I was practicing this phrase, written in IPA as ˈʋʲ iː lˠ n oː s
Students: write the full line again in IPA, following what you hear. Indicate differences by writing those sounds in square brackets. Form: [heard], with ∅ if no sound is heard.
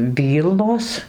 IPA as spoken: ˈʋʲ iː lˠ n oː s